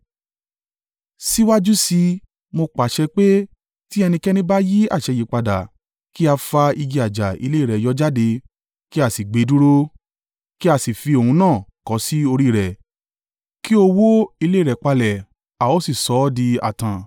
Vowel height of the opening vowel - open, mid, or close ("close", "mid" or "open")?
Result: close